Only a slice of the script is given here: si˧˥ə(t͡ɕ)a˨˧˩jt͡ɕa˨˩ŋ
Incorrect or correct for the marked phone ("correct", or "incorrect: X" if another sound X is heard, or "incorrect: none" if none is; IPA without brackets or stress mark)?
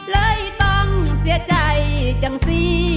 correct